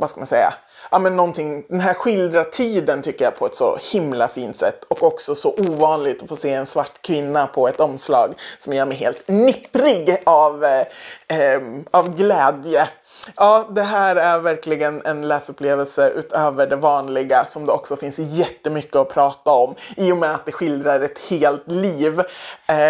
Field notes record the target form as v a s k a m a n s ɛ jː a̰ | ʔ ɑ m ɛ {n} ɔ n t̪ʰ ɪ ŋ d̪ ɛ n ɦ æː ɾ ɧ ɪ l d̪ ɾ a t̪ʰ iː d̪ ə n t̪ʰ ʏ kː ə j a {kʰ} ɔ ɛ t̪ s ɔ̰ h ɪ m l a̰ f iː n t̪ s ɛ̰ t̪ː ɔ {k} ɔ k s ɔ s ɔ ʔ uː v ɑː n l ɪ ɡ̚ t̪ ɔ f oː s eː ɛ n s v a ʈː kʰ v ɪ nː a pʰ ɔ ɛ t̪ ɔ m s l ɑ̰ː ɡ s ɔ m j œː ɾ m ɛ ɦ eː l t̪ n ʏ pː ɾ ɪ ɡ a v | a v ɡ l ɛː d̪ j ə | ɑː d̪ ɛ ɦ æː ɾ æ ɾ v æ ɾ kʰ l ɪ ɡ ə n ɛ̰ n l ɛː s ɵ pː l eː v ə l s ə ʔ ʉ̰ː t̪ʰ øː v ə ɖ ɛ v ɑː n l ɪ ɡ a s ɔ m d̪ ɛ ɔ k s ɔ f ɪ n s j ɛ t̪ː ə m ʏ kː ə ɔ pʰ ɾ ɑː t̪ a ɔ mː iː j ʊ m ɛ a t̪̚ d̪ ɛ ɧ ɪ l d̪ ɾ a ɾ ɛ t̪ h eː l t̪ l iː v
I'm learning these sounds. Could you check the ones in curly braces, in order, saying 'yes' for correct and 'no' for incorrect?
no, no, yes

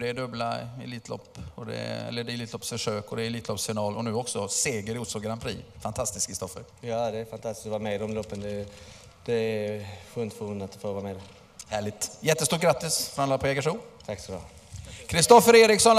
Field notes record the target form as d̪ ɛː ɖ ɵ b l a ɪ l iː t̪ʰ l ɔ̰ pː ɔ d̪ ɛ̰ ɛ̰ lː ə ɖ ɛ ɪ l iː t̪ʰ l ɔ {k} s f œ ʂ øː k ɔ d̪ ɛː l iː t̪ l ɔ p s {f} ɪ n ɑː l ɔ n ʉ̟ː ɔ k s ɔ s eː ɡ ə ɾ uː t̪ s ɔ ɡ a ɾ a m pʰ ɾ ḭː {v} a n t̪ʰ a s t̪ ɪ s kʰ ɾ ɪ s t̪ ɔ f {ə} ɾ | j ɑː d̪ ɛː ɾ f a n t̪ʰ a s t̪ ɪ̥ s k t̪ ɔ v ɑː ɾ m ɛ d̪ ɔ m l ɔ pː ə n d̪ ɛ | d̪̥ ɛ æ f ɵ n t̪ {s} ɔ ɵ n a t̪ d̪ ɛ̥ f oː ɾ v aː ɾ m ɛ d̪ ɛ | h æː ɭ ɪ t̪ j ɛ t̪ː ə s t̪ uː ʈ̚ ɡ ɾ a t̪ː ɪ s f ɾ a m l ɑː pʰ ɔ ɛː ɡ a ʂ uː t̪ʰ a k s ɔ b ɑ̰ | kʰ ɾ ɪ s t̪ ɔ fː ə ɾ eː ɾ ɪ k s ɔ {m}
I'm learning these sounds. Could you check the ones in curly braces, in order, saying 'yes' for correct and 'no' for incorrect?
no, yes, no, yes, no, no

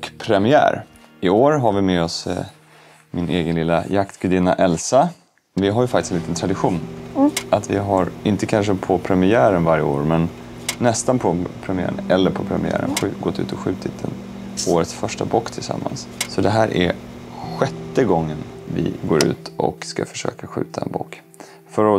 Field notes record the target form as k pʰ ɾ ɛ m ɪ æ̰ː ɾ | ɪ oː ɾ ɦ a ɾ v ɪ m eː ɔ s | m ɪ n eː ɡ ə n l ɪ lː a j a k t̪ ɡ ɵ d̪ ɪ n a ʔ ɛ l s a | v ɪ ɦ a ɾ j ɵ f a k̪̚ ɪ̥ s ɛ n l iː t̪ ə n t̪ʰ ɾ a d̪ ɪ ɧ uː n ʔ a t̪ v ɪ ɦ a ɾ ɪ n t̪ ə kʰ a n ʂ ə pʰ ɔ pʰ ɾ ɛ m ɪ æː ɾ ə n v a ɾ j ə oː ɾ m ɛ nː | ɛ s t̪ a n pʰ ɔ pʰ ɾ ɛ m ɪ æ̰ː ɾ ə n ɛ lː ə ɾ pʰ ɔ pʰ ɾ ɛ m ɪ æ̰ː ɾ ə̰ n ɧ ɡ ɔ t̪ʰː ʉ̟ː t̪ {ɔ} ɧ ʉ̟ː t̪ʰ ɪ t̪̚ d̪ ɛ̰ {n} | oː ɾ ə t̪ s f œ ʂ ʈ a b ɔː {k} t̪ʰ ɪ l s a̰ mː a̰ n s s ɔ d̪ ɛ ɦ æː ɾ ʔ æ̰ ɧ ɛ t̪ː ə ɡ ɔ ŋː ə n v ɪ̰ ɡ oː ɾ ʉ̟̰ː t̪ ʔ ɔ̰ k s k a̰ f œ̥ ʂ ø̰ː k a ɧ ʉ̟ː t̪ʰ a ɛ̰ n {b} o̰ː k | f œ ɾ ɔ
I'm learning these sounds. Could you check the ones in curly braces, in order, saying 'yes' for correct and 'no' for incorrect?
yes, yes, yes, yes

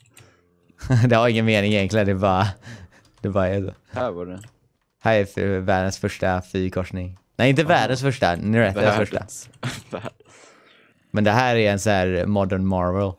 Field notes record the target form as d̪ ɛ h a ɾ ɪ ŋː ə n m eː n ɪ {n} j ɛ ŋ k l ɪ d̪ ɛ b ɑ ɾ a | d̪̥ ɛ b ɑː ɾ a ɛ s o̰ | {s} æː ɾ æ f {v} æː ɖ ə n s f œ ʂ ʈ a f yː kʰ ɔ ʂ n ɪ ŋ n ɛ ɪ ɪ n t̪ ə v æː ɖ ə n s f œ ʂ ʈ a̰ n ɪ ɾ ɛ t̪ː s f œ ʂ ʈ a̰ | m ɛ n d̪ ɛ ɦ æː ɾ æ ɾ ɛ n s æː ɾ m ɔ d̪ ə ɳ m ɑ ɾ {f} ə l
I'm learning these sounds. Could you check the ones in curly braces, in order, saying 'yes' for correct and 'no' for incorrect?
no, no, yes, no

